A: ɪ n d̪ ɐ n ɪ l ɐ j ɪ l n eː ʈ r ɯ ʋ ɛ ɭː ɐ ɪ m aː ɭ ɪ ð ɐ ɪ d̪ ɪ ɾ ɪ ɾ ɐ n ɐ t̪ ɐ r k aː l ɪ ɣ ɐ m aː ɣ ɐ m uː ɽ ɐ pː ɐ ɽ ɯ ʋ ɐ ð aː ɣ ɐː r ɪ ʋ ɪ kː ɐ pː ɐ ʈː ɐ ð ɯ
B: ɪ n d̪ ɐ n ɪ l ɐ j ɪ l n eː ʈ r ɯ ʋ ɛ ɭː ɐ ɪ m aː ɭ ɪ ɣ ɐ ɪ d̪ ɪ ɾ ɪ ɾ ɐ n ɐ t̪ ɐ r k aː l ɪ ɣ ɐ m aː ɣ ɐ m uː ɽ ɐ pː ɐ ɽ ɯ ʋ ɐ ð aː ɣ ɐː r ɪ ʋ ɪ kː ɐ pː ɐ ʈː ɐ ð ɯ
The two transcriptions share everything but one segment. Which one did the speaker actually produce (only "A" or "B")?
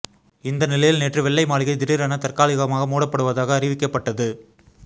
B